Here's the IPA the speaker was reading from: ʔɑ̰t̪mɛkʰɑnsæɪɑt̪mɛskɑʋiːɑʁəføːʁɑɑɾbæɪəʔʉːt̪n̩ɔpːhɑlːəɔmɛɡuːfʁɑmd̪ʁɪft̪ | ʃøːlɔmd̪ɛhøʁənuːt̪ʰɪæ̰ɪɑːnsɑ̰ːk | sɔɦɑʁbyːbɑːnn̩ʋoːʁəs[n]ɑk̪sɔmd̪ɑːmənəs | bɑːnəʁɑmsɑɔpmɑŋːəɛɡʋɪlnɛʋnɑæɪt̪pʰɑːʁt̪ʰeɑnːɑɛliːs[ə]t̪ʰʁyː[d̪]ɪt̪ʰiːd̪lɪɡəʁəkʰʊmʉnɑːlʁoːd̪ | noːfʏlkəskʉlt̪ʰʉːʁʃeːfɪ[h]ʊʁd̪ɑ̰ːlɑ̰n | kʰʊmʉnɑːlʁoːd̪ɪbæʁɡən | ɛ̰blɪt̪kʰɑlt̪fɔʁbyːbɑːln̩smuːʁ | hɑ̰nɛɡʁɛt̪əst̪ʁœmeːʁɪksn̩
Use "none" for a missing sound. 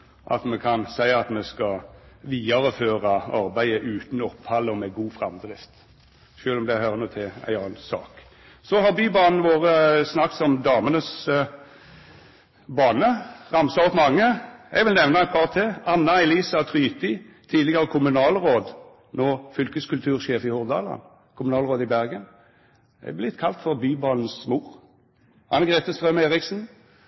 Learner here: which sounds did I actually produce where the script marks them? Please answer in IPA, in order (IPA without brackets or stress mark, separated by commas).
n, ɑ, t̪, h